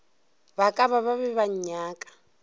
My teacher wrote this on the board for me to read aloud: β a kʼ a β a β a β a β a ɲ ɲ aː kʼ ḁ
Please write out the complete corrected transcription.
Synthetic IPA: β a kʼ a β a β a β ɛ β a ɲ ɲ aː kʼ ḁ